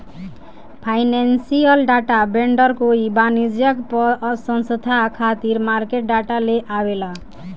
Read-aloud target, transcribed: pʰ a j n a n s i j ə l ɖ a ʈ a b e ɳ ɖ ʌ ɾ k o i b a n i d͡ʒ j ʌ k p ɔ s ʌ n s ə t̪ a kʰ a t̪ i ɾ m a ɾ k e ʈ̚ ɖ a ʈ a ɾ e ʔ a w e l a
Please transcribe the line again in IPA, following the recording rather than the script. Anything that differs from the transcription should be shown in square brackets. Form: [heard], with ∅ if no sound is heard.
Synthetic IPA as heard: pʰ a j n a n s i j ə l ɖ a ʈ a b e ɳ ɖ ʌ ɾ k o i b a n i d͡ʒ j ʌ k p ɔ s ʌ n s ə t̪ a kʰ a t̪ i ɾ m a ɾ k e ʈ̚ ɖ a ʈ a [l] e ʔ a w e l a

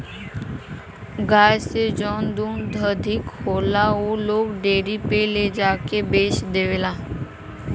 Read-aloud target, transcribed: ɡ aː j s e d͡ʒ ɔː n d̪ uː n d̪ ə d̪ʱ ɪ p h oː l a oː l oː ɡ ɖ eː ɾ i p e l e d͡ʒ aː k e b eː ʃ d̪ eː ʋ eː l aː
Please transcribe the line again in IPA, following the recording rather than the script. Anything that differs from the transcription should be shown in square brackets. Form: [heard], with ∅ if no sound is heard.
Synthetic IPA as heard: ɡ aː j s e d͡ʒ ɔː n d̪ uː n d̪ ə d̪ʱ ɪ [k] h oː l a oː l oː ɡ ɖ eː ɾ i p e l e d͡ʒ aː k e b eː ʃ d̪ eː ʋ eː l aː

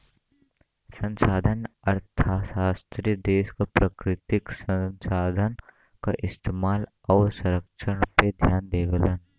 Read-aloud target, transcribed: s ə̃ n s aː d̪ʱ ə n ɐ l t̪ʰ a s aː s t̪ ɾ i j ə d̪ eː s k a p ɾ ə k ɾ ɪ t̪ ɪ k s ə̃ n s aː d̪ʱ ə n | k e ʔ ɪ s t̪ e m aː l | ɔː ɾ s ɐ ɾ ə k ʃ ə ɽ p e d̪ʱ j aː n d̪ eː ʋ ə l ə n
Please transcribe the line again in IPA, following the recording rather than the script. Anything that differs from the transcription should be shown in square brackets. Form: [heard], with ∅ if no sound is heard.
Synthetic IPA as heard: s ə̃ n s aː d̪ʱ ə n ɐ [ɾ] t̪ʰ a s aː s t̪ ɾ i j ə d̪ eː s k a p ɾ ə k ɾ ɪ t̪ ɪ k s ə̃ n s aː d̪ʱ ə n | k [a] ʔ ɪ s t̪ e m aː l | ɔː ɾ s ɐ ɾ ə k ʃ ə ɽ p e d̪ʱ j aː n d̪ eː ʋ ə l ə n

